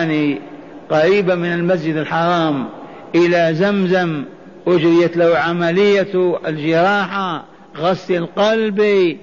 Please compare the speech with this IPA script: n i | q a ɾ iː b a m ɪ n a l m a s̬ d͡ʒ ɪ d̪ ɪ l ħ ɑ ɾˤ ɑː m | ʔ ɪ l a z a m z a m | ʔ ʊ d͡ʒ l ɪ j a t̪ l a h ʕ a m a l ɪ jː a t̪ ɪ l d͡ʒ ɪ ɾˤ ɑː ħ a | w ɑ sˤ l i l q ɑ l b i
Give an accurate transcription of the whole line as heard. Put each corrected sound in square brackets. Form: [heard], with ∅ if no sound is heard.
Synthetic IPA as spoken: n i | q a ɾ iː b a m ɪ n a l m a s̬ d͡ʒ ɪ d̪ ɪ l ħ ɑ ɾˤ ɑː m | ʔ ɪ l a z a m z a m | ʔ ʊ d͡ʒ [ɾ] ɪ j a t̪ l a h ʕ a m a l ɪ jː a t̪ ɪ l d͡ʒ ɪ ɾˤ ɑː ħ a | [ɣ] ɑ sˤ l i l q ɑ l b i